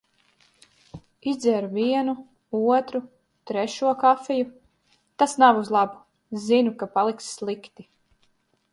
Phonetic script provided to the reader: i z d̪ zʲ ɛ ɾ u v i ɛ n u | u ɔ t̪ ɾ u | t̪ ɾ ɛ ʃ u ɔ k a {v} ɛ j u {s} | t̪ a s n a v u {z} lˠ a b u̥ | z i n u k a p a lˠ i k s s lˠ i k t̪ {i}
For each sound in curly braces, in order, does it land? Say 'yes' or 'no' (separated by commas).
no, no, yes, yes